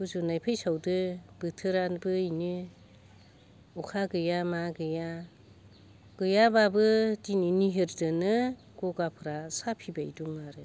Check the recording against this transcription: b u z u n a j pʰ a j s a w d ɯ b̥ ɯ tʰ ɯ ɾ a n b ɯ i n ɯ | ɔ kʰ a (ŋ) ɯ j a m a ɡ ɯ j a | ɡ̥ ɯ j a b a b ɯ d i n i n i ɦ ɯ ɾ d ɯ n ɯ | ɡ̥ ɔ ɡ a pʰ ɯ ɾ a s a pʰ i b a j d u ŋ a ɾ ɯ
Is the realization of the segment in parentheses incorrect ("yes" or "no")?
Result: yes